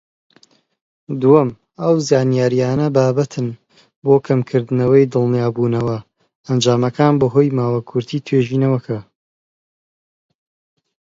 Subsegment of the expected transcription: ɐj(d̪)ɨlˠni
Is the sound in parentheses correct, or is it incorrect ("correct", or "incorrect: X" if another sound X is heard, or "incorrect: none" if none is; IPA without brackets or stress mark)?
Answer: correct